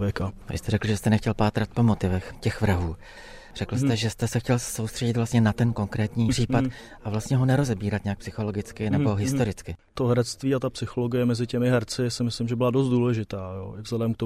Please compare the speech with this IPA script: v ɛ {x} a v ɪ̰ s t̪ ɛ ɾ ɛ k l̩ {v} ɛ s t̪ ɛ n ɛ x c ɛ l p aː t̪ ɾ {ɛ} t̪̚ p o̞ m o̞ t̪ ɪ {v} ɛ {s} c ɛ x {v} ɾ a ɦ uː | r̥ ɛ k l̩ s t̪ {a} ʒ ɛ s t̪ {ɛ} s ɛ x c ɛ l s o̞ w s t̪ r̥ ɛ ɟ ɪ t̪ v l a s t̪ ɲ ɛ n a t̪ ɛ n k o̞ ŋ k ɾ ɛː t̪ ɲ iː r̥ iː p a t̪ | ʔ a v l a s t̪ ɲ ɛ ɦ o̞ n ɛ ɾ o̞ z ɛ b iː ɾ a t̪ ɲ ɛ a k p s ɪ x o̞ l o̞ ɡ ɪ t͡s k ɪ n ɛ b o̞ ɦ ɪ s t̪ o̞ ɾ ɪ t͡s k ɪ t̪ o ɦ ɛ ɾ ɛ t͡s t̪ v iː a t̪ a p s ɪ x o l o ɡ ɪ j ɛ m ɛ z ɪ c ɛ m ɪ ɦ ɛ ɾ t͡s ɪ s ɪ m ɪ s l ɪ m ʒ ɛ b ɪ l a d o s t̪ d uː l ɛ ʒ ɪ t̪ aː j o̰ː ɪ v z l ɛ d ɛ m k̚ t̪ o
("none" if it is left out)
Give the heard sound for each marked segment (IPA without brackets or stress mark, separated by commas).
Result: k, ʒ, a, v, x, v, ɛ, ɛ